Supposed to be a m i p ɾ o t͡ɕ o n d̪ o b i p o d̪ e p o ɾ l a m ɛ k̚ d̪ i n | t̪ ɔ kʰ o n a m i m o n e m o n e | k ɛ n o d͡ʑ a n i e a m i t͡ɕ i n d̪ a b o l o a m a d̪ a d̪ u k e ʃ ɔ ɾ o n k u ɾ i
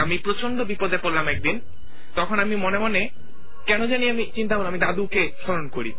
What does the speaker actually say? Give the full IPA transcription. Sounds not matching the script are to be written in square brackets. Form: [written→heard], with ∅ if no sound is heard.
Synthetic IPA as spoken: a m i p ɾ o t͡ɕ o n d̪ o b i p o d̪ e p o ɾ l a m ɛ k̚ d̪ i n | t̪ ɔ kʰ o n a m i m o n e m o n e | k ɛ n o d͡ʑ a n i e a m i t͡ɕ i n [d̪→t̪] a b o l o a m [a→i] d̪ a d̪ u k e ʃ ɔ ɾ o n k [u→o] ɾ i